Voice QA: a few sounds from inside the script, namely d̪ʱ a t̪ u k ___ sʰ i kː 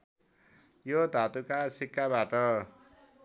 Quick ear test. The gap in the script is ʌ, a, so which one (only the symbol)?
a